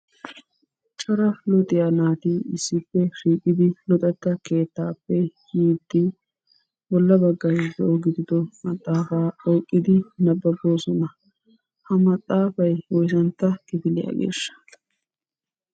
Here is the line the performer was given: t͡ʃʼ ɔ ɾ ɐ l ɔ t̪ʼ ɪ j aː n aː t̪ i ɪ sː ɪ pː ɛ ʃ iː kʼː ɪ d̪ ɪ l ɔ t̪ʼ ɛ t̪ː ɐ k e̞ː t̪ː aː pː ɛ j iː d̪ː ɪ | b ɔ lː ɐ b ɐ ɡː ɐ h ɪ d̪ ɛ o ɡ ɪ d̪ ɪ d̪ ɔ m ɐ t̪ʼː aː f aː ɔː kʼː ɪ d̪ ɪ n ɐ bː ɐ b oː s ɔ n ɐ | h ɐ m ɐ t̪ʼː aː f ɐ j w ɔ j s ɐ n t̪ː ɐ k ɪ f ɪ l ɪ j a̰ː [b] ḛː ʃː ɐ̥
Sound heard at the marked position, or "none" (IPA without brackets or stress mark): ɡ